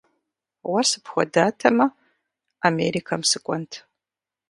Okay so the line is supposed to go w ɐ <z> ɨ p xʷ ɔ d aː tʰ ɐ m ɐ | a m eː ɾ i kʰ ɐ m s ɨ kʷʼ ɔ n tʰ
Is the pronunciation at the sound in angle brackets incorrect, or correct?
incorrect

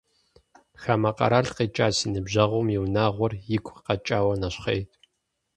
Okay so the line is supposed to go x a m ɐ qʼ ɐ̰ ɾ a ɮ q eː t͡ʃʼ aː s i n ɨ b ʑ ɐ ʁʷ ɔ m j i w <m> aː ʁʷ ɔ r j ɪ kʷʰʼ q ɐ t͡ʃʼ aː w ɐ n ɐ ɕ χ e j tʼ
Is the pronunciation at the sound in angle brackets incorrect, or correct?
incorrect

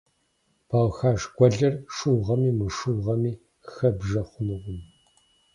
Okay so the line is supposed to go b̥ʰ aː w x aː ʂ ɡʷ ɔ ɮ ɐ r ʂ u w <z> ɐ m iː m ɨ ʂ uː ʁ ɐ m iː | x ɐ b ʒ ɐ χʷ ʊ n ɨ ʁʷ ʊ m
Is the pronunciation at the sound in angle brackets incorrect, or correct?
incorrect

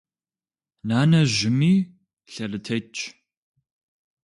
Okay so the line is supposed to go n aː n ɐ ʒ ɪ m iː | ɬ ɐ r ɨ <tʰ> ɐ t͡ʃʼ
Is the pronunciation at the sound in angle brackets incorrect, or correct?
correct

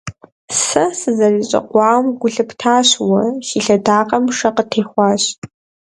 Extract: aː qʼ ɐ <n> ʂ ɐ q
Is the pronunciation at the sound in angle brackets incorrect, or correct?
incorrect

